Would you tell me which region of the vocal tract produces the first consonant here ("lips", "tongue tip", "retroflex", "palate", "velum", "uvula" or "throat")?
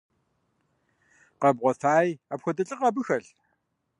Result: uvula